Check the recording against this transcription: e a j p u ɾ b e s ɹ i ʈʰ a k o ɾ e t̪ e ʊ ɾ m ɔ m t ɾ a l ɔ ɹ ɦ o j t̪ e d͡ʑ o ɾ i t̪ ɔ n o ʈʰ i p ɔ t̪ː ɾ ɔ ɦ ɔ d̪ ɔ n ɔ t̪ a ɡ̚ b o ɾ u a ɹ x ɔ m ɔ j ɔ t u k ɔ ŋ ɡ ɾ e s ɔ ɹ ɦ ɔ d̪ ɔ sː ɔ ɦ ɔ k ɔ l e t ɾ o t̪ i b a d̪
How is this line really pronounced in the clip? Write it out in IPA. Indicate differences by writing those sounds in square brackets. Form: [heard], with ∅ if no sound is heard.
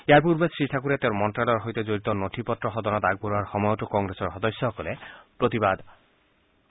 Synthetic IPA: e a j p u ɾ b e s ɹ i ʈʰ a k [u] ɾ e t̪ e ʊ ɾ m ɔ [n] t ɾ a l ɔ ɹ ɦ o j t̪ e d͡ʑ o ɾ i t̪ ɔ n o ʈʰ i p ɔ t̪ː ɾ ɔ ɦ ɔ d̪ ɔ n ɔ t̪ a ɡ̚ b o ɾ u a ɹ x ɔ m ɔ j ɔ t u k ɔ ŋ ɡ ɾ e s ɔ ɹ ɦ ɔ d̪ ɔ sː ɔ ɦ ɔ k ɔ l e [p] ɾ o t̪ i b a d̪